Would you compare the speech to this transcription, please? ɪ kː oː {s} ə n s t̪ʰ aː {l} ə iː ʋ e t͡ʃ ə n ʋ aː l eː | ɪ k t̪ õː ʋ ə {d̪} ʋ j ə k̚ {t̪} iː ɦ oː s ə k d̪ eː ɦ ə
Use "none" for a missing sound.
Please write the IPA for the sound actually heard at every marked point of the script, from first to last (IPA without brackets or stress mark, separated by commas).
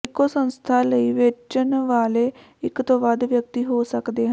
s, l, d̪, t̪